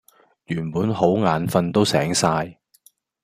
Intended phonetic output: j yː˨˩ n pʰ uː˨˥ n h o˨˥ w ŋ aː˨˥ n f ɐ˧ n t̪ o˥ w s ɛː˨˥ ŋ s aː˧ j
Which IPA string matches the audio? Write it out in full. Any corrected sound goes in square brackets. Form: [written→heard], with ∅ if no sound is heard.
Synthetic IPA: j yː˨˩ n [pʰ→p] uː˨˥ n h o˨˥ w ŋ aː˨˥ n f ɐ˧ n t̪ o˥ w s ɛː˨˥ ŋ s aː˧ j